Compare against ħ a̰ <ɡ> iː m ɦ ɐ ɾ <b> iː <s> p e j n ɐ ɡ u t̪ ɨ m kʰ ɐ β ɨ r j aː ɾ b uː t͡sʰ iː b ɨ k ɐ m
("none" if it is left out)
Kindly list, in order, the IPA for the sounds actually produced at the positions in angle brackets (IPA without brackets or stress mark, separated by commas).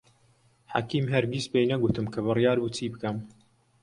k, ɡ, s